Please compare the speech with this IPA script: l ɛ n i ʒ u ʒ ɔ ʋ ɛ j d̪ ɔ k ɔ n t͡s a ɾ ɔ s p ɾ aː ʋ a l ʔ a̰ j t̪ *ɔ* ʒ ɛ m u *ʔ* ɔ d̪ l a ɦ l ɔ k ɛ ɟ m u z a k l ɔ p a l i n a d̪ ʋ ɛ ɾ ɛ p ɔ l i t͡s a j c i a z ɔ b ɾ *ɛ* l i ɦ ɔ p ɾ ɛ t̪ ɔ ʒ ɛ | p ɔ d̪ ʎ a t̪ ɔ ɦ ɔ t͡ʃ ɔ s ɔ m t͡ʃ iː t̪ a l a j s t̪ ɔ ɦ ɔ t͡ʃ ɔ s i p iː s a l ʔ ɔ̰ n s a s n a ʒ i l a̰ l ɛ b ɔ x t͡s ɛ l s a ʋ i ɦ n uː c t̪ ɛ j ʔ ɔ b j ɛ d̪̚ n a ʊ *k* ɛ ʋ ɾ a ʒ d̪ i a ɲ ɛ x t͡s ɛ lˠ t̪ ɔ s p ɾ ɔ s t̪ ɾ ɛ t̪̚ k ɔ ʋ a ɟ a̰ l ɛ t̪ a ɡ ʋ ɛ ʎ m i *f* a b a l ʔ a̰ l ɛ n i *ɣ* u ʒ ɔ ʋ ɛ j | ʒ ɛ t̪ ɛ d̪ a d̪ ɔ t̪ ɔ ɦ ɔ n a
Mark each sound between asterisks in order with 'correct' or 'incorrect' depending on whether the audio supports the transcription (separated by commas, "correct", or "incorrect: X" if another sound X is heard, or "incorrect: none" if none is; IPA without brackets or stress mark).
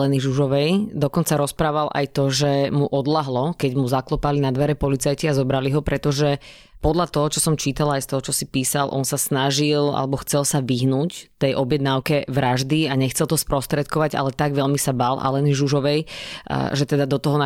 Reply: correct, correct, incorrect: a, correct, incorrect: s, incorrect: ʒ